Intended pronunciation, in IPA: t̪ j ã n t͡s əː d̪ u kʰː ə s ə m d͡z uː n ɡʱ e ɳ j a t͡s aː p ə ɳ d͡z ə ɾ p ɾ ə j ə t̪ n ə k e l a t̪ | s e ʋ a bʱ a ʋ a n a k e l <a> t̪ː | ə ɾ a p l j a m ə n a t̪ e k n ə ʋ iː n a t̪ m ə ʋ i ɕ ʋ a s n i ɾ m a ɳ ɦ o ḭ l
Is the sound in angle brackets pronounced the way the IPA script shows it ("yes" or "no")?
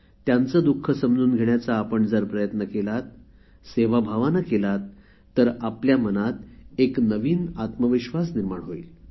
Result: yes